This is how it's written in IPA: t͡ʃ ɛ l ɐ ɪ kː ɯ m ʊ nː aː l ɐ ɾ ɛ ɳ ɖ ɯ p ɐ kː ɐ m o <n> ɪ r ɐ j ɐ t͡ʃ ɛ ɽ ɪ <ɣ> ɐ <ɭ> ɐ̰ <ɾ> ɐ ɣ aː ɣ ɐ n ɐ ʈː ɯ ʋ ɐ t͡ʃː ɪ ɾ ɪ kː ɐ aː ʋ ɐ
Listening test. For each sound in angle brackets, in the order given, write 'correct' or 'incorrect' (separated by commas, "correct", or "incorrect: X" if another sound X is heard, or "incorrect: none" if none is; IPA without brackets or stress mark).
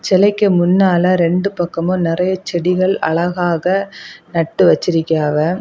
correct, correct, correct, incorrect: ɭ